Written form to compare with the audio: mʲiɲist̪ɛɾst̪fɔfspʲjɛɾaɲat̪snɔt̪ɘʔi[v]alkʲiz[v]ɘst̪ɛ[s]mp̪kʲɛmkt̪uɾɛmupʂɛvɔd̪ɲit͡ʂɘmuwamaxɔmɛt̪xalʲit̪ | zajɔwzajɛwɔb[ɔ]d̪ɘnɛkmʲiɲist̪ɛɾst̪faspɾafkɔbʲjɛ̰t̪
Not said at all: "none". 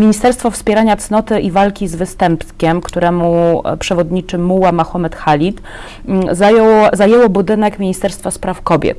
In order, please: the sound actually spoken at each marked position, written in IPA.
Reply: v, v, none, u

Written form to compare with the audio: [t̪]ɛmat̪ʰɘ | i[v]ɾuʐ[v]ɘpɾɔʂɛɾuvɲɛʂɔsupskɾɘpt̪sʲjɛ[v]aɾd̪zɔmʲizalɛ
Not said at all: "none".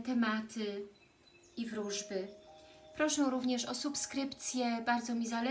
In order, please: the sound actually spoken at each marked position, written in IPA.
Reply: t̪, v, b, b

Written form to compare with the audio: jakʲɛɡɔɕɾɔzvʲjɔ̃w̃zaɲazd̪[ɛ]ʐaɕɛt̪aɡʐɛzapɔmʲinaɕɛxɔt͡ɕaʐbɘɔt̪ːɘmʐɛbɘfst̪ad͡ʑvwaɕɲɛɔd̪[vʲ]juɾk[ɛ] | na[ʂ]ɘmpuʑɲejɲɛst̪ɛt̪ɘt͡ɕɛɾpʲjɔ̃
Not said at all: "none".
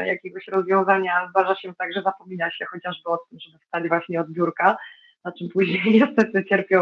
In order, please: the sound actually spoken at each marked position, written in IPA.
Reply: a, bʲ, a, t͡ʂ

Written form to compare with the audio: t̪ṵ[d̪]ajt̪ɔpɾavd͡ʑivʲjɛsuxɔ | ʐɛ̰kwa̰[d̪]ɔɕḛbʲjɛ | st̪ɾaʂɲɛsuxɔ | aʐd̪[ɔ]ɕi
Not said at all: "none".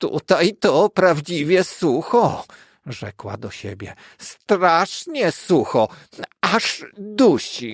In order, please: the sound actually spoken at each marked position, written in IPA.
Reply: t̪, d̪, u

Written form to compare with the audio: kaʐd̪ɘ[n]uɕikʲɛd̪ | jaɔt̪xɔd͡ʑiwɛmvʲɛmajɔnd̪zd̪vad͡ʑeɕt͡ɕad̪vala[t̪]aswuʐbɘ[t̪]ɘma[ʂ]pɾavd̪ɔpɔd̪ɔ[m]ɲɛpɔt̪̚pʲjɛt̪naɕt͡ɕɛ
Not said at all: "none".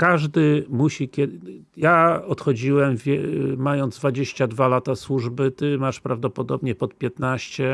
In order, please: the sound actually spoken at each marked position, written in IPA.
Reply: m, t̪, t̪, ʂ, b

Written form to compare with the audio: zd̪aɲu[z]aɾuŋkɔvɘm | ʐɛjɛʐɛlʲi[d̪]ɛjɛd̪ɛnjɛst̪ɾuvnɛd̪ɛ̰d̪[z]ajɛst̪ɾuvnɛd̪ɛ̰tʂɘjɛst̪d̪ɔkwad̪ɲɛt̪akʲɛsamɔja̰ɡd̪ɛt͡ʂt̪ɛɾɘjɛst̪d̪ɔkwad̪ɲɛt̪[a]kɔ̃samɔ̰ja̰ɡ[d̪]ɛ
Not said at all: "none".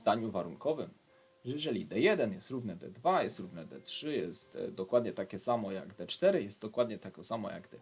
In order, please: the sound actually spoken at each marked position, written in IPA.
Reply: v, d̪, v, a, d̪

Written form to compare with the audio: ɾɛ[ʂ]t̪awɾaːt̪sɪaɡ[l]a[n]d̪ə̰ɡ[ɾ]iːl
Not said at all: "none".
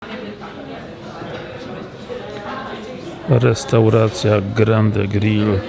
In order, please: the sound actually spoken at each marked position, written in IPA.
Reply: s, ɾ, n, ɾ

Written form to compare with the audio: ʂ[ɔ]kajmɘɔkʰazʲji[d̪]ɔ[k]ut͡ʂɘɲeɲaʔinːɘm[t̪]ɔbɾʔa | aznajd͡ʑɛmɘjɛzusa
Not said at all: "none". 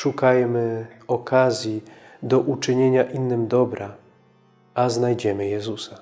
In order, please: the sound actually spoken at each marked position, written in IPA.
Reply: u, d̪, ʔ, d̪

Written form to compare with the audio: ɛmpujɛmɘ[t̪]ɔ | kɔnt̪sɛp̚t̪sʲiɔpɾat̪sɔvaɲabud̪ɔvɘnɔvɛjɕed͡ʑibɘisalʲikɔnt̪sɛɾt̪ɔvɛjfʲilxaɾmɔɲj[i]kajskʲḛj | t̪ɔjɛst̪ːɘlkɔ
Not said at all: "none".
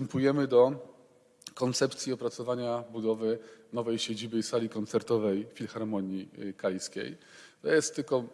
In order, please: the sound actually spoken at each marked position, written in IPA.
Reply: d̪, i

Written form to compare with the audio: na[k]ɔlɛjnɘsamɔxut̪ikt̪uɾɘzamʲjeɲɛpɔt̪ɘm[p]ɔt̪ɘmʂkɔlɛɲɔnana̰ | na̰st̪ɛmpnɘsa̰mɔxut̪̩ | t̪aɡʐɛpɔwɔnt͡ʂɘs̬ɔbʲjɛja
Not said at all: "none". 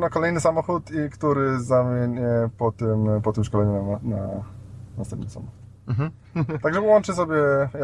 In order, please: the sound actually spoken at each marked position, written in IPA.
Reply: k, p

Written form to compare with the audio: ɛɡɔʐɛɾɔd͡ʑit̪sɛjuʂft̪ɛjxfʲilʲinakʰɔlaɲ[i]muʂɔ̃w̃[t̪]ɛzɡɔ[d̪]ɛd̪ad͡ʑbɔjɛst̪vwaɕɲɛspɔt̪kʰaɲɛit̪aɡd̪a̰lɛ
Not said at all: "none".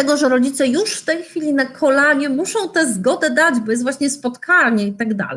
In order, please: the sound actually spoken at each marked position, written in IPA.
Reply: ɛ, t̪, d̪

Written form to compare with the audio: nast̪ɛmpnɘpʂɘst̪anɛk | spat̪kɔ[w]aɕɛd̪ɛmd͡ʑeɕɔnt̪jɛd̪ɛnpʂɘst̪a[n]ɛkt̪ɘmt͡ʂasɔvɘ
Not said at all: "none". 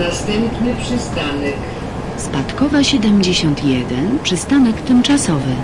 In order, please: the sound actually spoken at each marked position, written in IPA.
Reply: v, n

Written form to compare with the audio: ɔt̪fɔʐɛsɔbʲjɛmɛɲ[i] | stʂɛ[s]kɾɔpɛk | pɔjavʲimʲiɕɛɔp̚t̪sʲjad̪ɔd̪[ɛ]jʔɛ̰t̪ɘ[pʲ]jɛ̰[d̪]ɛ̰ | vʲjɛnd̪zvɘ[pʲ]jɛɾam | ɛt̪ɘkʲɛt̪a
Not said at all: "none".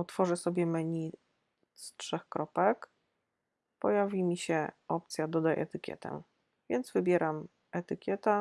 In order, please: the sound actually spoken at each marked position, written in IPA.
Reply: i, x, a, kʲ, t̪, bʲ

